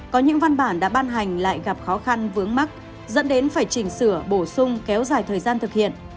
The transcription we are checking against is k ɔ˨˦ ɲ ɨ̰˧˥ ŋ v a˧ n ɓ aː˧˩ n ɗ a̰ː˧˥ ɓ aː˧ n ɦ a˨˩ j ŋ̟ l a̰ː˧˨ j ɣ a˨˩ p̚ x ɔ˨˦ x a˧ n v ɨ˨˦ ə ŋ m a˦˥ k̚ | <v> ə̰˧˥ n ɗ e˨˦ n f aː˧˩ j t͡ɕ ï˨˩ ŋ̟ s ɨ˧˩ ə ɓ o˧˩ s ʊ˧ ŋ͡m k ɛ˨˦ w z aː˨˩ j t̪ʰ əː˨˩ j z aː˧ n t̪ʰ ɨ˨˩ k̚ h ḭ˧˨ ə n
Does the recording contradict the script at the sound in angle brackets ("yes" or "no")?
yes